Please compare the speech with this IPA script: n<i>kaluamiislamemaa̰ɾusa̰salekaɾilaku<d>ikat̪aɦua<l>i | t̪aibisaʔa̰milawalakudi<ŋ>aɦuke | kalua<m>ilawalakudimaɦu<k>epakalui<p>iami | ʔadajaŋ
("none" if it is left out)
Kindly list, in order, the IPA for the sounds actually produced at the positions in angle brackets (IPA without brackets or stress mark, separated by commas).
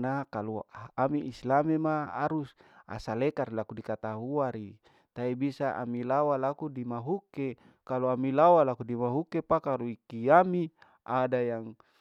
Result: a, d, ɾ, m, m, k, k